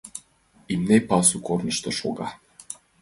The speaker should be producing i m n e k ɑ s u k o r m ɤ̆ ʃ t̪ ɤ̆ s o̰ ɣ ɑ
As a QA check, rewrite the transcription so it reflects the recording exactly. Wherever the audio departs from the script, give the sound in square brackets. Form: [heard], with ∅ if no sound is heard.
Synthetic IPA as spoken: i m n e [p] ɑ s u k o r [n] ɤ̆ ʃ t̪ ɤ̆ [ʃ] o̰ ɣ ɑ